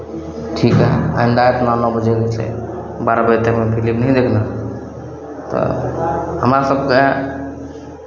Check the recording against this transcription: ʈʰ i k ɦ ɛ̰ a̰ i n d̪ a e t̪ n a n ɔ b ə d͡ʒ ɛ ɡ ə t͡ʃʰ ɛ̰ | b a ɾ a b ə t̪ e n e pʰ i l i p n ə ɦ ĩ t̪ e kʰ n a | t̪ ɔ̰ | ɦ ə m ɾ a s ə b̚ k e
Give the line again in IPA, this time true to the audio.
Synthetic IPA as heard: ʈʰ i k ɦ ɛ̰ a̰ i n d̪ a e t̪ n a n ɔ b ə d͡ʒ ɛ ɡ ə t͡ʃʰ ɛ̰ | b a ɾ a b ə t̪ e m e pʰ i l i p n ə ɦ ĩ d̪ e kʰ n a | t̪ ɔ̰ | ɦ ə m ɾ a s ə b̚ k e